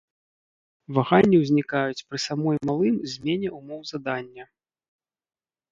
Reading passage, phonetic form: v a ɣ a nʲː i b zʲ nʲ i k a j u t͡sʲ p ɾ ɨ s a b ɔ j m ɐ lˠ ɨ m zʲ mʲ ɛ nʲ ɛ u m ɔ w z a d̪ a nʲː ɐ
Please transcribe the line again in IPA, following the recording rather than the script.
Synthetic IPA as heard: v a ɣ a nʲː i w zʲ nʲ i k a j u t͡sʲ p ɾ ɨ s a m ɔ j m a lˠ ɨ m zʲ mʲ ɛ nʲ ɛ u m ɔ w z a d̪ a nʲː ɐ